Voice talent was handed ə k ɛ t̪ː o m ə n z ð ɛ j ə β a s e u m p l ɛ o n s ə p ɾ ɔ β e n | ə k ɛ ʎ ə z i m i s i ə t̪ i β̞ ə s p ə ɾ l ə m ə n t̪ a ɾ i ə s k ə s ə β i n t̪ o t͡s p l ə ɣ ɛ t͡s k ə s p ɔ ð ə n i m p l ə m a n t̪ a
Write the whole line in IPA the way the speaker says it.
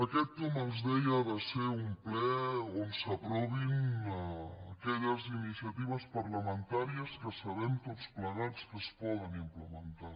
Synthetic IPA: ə k ɛ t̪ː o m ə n z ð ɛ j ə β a s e u m p l ɛ o n s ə p ɾ ɔ β i n | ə k ɛ ʎ ə z i n i s i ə t̪ i β̞ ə s p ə ɾ l ə m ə n t̪ a ɾ i ə s k ə s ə β ɛ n t̪ o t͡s p l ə ɣ a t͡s k ə s p ɔ ð ə n i m p l ə m ə n t̪ a